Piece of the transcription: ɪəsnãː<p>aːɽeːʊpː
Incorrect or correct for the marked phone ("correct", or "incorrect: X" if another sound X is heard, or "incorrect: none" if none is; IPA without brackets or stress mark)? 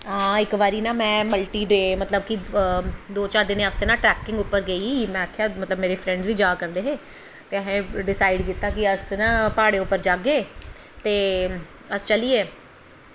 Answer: correct